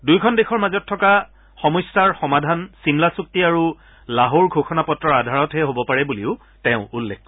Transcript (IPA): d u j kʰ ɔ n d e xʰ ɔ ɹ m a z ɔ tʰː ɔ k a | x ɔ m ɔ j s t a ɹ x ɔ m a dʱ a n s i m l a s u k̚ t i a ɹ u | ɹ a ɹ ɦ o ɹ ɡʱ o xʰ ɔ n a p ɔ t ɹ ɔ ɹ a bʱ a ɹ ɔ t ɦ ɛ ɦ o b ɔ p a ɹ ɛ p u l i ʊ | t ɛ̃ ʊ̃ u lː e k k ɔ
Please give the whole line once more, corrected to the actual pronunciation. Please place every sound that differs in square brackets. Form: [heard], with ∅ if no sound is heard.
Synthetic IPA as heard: d u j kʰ ɔ n d e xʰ ɔ ɹ m a z ɔ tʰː ɔ k a | x ɔ m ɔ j s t a ɹ x ɔ m a dʱ a n s i m l a s u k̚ t i a ɹ u | [l] a [∅] ɦ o ɹ ɡʱ o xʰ ɔ n a p ɔ t ɹ ɔ ɹ a [dʱ] a ɹ ɔ t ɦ ɛ ɦ o b ɔ p a ɹ ɛ [b] u l i ʊ | t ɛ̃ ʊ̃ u lː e k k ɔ

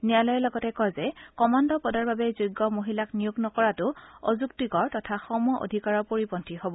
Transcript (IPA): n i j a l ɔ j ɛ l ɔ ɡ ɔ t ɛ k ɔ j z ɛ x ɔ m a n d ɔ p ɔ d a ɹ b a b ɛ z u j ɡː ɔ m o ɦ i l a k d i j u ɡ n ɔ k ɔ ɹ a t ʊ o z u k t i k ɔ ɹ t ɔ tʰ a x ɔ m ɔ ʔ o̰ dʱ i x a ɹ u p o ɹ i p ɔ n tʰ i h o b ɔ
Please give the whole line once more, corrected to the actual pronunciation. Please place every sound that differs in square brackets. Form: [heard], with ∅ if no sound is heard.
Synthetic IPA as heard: n i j a l ɔ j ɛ l ɔ ɡ ɔ t ɛ k ɔ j z ɛ [k] ɔ m a n d ɔ p ɔ d a ɹ b a b ɛ z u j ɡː ɔ m o ɦ i l a k [n] i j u ɡ n ɔ k ɔ ɹ a t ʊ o z u k t i k ɔ ɹ t ɔ tʰ a x ɔ m ɔ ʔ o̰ dʱ i [k] a ɹ [ɔ] p o ɹ i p ɔ n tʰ i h o b ɔ

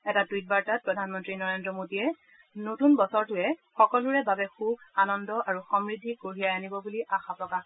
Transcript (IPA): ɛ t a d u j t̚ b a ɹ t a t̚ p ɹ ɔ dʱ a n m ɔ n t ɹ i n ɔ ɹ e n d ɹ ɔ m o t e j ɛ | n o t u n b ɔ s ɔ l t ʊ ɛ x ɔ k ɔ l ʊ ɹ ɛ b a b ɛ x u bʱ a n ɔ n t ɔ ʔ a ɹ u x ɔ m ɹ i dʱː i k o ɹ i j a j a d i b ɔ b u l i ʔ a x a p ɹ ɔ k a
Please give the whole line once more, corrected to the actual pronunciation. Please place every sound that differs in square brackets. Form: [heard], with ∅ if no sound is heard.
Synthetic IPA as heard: ɛ t a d u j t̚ b a ɹ t a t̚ p ɹ ɔ dʱ a n m ɔ n t ɹ i n ɔ ɹ e n d ɹ ɔ m o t [i] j ɛ | n o t u n b ɔ s ɔ [ɹ] t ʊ ɛ x ɔ k ɔ l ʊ ɹ ɛ b a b ɛ x u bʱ a n ɔ n [d] ɔ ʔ a ɹ u x ɔ m ɹ i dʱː i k o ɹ i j a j a [n] i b ɔ b u l i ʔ a x a p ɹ ɔ k a

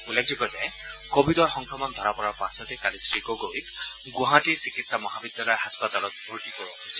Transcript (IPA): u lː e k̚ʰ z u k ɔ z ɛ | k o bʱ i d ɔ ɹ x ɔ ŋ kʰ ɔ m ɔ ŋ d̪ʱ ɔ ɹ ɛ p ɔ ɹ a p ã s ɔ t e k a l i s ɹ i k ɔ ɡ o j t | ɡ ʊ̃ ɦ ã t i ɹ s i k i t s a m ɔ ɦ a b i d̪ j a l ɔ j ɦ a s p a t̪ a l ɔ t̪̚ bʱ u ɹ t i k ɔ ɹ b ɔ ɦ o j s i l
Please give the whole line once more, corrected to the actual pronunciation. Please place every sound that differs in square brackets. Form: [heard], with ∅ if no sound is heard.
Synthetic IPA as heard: u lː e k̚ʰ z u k ɔ z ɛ | k o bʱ i d ɔ ɹ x ɔ ŋ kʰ ɔ m ɔ [n] d̪ʱ ɔ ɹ [a] p ɔ ɹ a p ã s ɔ t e k a l i s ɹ i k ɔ ɡ o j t | ɡ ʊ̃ ɦ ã t i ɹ s i k i t s a m ɔ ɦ a b i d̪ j a l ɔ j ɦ a s p a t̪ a l ɔ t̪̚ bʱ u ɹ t i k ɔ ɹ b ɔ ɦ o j s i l

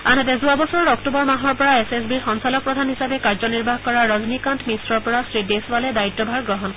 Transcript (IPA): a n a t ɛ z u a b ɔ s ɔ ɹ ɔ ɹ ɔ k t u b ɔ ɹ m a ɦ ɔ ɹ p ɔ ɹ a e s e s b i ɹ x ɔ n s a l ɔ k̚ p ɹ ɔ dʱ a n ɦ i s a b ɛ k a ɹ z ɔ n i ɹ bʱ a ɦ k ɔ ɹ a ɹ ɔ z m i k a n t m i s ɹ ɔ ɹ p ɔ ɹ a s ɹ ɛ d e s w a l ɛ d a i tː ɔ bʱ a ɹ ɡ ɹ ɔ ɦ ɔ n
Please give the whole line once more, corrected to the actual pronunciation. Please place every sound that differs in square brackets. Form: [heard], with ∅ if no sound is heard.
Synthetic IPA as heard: a n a t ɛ z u a b ɔ s ɔ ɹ ɔ ɹ ɔ k t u b ɔ ɹ m a ɦ ɔ ɹ p ɔ ɹ a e s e s b i ɹ x ɔ n s a l ɔ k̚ p ɹ ɔ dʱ a n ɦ i s a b ɛ k a ɹ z ɔ n i ɹ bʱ a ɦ k ɔ ɹ a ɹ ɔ z [n] i k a n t m i s ɹ ɔ ɹ p ɔ ɹ a s ɹ [i] d e s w a l ɛ d a i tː ɔ bʱ a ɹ ɡ ɹ ɔ ɦ ɔ n

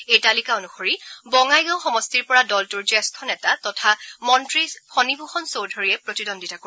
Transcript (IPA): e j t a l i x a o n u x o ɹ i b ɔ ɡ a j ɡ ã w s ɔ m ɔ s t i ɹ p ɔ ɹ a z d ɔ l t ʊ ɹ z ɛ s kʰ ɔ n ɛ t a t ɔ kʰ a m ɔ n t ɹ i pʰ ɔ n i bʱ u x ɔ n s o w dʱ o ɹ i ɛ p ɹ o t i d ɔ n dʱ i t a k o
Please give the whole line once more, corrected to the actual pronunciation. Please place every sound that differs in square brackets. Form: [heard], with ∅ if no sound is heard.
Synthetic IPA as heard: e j t a l i [k] a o n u x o ɹ i b ɔ [ŋ] a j ɡ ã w [x] ɔ m ɔ s t i ɹ p ɔ ɹ a [∅] d ɔ l t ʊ ɹ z ɛ s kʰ ɔ n ɛ t a t ɔ [tʰ] a m ɔ n t ɹ i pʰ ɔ n i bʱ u x ɔ n s o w dʱ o ɹ i ɛ p ɹ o t i d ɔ n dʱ i t a k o

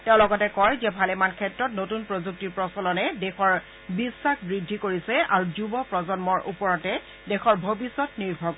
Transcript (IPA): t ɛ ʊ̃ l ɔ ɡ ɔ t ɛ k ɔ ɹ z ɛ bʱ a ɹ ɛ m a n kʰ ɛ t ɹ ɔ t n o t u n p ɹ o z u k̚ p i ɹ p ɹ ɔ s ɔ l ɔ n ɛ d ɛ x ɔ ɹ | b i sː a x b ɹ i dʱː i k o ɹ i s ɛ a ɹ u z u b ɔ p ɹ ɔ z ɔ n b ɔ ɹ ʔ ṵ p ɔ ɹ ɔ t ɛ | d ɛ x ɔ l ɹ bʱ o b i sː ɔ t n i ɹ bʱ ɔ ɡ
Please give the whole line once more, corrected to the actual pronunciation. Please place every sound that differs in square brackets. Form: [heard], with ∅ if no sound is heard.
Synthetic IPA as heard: t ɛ ʊ̃ l ɔ ɡ ɔ t ɛ k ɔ ɹ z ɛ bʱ a [l] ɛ m a n kʰ ɛ t ɹ ɔ t n o t u n p ɹ o z u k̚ [t] i ɹ p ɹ ɔ s ɔ l ɔ n ɛ d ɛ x ɔ ɹ | b i sː a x b ɹ i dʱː i k o ɹ i s ɛ a ɹ u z u b ɔ p ɹ ɔ z ɔ n [m] ɔ ɹ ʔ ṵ p ɔ ɹ ɔ t ɛ | d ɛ x ɔ [∅] ɹ bʱ o b i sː ɔ t n i ɹ bʱ ɔ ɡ

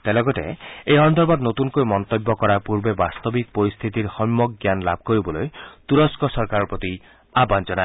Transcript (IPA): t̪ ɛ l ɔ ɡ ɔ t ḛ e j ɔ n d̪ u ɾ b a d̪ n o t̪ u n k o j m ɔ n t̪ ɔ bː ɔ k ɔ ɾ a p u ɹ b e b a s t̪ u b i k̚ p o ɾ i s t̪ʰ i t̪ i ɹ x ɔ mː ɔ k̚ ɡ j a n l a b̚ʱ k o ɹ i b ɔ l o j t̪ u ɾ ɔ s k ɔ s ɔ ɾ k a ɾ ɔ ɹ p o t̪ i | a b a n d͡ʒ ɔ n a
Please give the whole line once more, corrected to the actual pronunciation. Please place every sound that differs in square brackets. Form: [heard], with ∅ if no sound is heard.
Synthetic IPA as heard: t̪ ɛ l ɔ ɡ ɔ t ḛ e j ɔ n d̪ [ɔ] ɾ b a d̪ n o t̪ u n k o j m ɔ n t̪ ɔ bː ɔ k ɔ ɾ a p u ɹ b e b a s t̪ [ɔ] b i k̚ p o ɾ i s t̪ʰ i t̪ i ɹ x ɔ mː ɔ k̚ ɡ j a n l a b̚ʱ k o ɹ i b ɔ l o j t̪ u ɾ ɔ s k ɔ s ɔ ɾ k a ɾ ɔ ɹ p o t̪ i | a b a n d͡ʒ ɔ n a

